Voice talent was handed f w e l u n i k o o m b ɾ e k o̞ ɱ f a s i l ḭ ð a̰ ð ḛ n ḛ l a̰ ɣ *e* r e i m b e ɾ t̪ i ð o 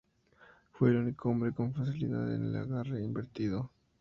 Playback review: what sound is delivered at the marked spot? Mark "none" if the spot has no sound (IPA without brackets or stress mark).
a